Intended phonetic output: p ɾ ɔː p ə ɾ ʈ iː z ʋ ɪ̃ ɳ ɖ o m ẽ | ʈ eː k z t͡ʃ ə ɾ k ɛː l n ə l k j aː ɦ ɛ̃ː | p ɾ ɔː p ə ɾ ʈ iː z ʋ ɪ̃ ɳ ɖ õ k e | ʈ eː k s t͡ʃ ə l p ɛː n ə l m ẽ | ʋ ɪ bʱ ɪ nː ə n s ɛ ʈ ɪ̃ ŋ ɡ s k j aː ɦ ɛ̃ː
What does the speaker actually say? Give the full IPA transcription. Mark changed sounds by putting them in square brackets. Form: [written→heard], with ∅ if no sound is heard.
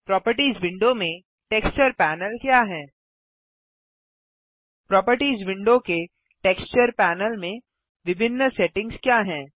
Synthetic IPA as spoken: p ɾ ɔː p ə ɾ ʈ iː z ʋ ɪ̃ ɳ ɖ o m ẽ | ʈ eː k [z→s] t͡ʃ ə ɾ [k→p] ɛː [l→∅] n ə l k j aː ɦ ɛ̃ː | p ɾ ɔː p ə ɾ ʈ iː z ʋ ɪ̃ ɳ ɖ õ k e | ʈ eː k s t͡ʃ ə [l→ɾ] p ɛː n ə l m ẽ | ʋ ɪ bʱ ɪ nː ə [n→∅] s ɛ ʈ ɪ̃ ŋ ɡ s k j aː ɦ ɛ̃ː